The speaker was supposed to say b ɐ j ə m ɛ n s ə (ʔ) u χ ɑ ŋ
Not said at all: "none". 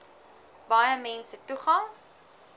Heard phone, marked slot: t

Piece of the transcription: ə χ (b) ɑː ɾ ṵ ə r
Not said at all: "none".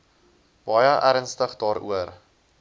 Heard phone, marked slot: d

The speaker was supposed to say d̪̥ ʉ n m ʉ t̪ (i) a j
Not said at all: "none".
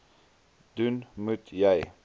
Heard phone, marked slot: j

